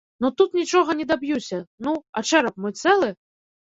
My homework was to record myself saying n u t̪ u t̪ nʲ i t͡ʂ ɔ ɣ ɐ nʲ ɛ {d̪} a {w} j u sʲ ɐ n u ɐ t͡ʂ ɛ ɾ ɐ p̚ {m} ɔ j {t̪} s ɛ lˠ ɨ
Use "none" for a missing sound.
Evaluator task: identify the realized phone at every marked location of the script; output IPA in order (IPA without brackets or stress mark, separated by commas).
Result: d̪, b, m, t̪